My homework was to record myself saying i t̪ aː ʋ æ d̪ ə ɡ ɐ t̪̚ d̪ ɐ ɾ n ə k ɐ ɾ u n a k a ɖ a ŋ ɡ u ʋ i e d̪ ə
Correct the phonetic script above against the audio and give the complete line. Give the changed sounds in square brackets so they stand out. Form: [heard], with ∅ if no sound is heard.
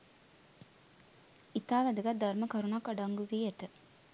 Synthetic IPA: i t̪ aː ʋ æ d̪ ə ɡ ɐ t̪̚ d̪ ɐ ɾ [m] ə k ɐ ɾ u n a k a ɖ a ŋ ɡ u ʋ i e [t̪] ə